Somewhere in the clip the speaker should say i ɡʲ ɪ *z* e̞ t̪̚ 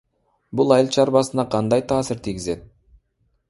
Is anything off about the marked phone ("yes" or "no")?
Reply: no